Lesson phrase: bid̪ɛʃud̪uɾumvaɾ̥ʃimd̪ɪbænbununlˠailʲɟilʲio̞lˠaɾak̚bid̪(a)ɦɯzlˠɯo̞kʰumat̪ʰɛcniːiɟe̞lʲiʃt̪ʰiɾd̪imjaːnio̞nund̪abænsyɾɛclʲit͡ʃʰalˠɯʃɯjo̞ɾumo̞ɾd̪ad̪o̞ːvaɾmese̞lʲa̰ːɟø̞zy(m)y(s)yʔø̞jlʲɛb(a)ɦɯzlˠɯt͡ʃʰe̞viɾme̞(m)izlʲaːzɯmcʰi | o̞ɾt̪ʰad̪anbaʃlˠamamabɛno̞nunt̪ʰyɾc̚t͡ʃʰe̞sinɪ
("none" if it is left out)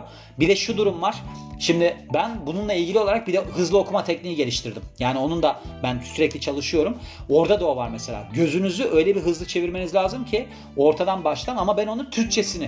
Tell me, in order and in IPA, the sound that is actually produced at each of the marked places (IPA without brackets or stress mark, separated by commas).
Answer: ɛ, n, z, i, n